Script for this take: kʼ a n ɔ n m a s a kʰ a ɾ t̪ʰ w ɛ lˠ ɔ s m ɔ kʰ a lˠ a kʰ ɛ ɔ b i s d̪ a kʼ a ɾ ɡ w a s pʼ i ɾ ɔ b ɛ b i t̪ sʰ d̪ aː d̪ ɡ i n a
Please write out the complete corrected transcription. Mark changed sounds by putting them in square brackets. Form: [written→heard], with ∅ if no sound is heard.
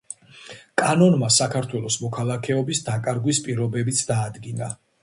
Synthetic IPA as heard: kʼ a n ɔ n m a s a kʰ a ɾ t̪ʰ w ɛ lˠ ɔ s m ɔ kʰ a lˠ a kʰ ɛ ɔ b i s d̪ a kʼ a ɾ ɡ w [a→i] s pʼ i ɾ ɔ b ɛ b i t̪ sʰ d̪ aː d̪ ɡ i n a